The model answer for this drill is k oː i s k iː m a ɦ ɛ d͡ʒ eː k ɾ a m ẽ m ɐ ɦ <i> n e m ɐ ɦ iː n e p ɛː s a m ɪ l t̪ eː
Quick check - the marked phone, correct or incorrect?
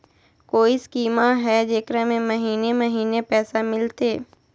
incorrect